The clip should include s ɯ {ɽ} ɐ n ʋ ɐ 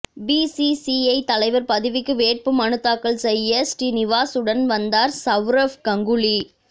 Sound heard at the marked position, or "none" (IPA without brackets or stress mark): ɽ